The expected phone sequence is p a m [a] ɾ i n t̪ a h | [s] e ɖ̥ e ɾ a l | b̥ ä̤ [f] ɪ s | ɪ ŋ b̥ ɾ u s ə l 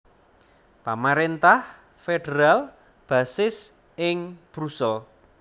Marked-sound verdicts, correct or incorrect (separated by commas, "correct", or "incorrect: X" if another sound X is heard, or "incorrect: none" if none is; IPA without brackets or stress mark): correct, incorrect: f, incorrect: s